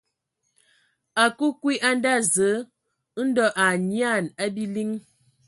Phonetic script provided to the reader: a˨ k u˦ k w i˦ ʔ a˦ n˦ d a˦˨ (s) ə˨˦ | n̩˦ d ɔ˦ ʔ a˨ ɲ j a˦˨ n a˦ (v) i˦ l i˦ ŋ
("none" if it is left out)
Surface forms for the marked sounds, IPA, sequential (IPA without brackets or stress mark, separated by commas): z, b